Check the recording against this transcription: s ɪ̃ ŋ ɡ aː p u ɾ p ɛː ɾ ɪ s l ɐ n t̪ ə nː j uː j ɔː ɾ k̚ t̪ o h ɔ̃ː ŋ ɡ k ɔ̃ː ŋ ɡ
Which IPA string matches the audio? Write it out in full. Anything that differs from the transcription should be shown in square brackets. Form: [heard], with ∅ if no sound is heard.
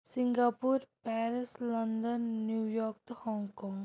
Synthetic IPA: s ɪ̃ ŋ ɡ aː p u ɾ p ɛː ɾ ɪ s l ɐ n [d̪] ə nː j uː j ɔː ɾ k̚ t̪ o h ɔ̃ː ŋ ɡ k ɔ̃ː ŋ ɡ